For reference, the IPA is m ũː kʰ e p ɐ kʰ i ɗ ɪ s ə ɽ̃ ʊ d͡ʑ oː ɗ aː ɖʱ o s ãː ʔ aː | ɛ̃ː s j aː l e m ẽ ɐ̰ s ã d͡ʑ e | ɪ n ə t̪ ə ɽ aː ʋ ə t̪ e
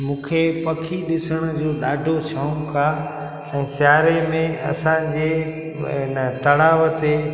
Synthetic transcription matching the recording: m ũː kʰ e p ɐ kʰ i ɗ ɪ s ə ɽ̃ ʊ d͡ʑ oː ɗ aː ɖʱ o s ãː k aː | ɛ̃ː s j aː ɾ e m ẽ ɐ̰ s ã d͡ʑ e | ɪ n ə t̪ ɐ ɽ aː ʋ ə t̪ e